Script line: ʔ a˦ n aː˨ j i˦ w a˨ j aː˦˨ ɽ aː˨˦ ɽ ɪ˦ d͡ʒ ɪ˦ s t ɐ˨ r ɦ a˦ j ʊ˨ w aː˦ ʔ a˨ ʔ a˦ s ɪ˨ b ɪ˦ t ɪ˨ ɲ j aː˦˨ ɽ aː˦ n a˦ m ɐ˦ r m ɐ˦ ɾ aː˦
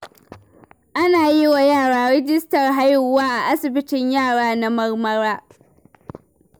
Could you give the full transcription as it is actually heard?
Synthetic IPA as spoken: ʔ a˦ n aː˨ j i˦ w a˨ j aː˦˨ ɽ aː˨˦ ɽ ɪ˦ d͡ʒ ɪ˦ s t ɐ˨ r ɦ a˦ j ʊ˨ w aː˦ ʔ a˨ ʔ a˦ s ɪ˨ b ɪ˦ t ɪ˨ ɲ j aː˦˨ ɽ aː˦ n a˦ m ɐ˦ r m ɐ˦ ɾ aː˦

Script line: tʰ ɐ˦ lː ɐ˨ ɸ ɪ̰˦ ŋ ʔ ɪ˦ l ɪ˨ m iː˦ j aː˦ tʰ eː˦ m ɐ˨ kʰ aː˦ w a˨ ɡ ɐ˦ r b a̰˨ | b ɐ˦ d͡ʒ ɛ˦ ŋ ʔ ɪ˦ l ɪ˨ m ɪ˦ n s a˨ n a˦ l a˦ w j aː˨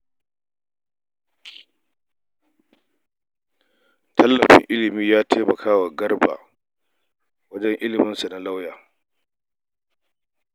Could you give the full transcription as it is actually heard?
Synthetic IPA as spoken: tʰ ɐ˦ lː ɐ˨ ɸ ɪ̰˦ ŋ ʔ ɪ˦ l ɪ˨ m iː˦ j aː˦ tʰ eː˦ m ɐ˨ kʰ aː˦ w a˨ ɡ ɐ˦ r b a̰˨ | w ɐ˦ d͡ʒ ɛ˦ ŋ ʔ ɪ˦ l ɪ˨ m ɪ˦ n s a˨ n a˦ l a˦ w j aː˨

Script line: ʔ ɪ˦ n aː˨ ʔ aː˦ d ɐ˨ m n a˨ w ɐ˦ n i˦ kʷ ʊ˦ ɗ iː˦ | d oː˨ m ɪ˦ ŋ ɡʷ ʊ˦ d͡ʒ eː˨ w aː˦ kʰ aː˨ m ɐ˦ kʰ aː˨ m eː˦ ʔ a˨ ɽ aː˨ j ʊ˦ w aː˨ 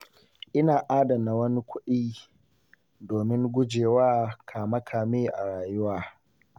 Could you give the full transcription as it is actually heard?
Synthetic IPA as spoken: ʔ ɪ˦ n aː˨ ʔ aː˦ d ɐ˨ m n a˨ w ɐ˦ n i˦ kʷ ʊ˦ ɗ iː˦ | d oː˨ m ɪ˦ ŋ ɡʷ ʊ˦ d͡ʒ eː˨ w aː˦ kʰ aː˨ m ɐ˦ kʰ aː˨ m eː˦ ʔ a˨ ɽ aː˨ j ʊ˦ w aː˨

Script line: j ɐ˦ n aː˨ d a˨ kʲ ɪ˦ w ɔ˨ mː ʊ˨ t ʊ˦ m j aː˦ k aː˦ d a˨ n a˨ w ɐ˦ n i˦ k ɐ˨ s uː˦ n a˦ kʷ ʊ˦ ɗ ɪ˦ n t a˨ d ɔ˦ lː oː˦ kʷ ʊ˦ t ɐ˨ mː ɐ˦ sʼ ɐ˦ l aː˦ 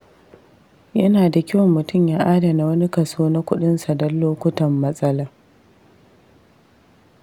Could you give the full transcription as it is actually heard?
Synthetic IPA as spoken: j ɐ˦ n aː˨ d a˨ kʲ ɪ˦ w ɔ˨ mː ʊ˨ t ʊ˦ m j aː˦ ʔ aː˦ d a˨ n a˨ w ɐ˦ n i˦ k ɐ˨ s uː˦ n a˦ kʷ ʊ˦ ɗ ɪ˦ n s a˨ d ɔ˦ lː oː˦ kʷ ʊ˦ t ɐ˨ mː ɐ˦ sʼ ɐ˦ l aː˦

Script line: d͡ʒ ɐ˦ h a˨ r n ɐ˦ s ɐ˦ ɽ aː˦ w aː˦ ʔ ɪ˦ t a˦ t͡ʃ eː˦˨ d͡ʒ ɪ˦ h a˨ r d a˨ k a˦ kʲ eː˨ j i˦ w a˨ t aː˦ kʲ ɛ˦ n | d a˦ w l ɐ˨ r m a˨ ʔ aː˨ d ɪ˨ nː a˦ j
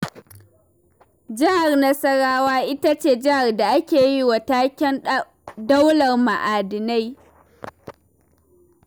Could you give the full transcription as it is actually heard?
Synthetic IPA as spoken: d͡ʒ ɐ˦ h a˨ r n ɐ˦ s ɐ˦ ɽ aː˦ w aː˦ ʔ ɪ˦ t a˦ t͡ʃ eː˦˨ d͡ʒ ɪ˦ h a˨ r d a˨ ʔ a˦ kʲ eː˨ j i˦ w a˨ t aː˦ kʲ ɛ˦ n | d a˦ w l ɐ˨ r m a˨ ʔ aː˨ d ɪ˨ n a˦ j

